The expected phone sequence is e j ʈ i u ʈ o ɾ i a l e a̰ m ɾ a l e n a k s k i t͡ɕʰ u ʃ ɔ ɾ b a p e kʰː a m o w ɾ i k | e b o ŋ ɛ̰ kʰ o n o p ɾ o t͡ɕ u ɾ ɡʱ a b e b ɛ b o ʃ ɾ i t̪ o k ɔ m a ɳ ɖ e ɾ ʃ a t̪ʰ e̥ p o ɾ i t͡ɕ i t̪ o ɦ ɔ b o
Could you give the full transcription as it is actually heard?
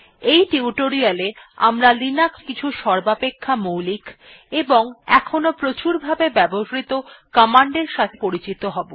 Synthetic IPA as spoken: e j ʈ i u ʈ o ɾ i a l e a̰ m ɾ a l i n a k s k i t͡ɕʰ u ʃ ɔ ɾ b a p e kʰː a m o w l i k | e b o ŋ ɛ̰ kʰ o n o p ɾ o t͡ɕ u ɾ bʱ a b e b ɛ b o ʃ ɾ i t̪ o k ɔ m a ɳ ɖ e ɾ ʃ a t̪ʰ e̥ p o ɾ i t͡ɕ i t̪ o ɦ ɔ b o